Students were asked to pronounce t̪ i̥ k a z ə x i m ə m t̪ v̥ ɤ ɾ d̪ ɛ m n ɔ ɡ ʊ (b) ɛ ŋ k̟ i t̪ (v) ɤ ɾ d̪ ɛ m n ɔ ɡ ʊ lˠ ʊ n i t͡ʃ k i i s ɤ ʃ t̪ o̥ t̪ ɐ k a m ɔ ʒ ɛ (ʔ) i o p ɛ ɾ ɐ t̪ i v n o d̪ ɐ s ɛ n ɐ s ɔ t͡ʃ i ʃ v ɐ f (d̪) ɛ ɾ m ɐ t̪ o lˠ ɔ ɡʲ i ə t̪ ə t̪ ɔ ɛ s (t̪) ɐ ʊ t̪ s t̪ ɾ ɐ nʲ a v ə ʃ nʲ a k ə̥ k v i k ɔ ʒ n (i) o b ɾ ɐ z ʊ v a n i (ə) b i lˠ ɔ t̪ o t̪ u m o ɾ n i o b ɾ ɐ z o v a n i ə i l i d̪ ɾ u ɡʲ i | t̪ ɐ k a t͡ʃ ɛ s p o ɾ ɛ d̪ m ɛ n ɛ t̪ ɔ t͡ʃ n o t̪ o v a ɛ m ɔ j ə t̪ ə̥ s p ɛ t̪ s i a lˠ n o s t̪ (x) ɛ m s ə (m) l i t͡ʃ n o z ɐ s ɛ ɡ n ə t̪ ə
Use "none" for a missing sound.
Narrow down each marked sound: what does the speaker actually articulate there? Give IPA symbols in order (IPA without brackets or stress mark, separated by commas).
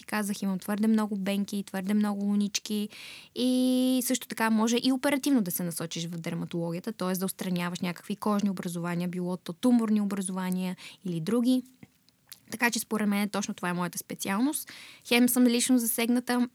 b, v, ʔ, d̪, d̪, i, ə, x, m